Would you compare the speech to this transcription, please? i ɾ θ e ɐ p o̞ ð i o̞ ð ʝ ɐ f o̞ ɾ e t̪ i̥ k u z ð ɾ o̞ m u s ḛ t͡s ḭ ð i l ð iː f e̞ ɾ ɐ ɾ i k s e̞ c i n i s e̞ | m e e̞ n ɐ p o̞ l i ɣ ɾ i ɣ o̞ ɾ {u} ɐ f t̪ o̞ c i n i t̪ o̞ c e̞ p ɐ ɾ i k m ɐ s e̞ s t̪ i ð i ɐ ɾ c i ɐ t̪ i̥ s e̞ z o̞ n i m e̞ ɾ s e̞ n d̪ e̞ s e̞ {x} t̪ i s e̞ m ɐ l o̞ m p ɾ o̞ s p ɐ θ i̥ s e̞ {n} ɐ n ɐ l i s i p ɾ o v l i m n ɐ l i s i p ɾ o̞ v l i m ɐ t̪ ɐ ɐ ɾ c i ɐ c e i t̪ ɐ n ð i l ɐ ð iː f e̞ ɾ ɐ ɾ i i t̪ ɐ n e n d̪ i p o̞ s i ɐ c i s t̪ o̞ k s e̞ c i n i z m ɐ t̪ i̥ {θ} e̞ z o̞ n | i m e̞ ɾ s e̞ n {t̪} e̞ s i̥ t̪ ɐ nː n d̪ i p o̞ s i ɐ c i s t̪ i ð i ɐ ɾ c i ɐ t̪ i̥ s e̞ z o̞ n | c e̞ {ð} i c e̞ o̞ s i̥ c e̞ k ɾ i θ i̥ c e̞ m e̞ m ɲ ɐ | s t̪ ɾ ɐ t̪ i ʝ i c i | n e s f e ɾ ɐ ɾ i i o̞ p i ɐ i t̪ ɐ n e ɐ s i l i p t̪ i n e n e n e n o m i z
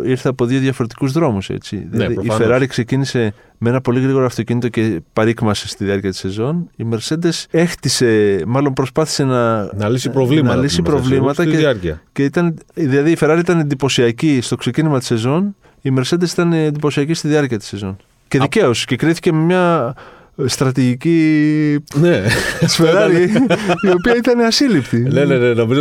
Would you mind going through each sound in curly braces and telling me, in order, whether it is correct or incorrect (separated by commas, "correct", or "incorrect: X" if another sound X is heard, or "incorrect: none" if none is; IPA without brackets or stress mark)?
incorrect: o, correct, correct, incorrect: s, incorrect: d̪, correct